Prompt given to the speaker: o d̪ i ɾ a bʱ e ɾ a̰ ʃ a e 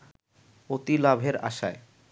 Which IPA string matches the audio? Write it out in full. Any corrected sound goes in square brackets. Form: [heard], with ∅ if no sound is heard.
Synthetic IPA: o [t̪] i [l] a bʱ e ɾ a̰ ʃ a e